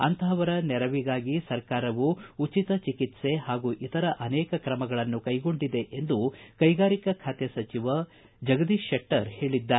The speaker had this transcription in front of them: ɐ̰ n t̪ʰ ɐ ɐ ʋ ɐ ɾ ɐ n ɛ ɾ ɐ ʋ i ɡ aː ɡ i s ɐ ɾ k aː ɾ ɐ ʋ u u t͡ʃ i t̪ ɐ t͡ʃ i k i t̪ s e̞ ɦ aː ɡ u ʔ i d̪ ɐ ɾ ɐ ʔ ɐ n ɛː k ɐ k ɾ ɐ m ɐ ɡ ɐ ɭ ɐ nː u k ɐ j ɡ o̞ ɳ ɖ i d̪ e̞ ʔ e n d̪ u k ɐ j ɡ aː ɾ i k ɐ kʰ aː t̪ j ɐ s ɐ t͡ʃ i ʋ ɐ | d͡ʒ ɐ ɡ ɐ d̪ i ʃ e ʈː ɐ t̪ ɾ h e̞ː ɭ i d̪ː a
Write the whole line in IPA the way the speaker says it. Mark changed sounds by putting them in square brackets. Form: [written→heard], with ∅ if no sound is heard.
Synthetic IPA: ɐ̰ n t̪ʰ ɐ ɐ ʋ ɐ ɾ ɐ n ɛ ɾ ɐ ʋ i ɡ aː ɡ i s ɐ ɾ k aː ɾ ɐ ʋ u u t͡ʃ i t̪ ɐ t͡ʃ i k i t̪ s e̞ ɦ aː ɡ u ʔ i [d̪→t̪] ɐ ɾ ɐ ʔ ɐ n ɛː k ɐ k ɾ ɐ m ɐ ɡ ɐ ɭ ɐ nː u k ɐ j ɡ o̞ ɳ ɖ i d̪ e̞ ʔ e n d̪ u k ɐ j ɡ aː ɾ i k ɐ kʰ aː t̪ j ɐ s ɐ t͡ʃ i ʋ ɐ | d͡ʒ ɐ ɡ ɐ d̪ i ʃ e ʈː ɐ [t̪→∅] ɾ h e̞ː ɭ i d̪ː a